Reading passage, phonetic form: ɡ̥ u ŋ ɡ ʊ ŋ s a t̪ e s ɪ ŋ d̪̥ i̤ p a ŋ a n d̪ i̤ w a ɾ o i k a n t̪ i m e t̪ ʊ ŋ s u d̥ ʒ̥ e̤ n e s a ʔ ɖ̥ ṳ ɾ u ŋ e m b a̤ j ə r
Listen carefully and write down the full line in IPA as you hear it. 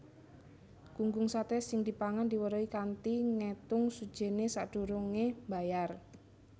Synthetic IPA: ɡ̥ u ŋ ɡ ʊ ŋ s a t̪ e s ɪ ŋ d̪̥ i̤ p a ŋ a n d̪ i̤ w ə ɾ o i k a n t̪ i ŋ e t̪ ʊ ŋ s u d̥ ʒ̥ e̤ n e s a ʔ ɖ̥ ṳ ɾ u ŋ e m b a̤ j a r